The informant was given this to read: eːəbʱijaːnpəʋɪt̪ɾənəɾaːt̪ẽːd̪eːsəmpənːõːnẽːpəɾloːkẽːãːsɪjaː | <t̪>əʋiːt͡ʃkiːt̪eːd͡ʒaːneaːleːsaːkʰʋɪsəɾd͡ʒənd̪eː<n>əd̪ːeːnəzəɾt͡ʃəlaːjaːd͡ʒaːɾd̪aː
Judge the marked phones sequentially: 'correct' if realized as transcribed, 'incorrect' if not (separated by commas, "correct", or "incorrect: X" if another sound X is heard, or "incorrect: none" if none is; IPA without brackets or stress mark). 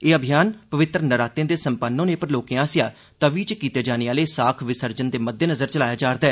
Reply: correct, incorrect: m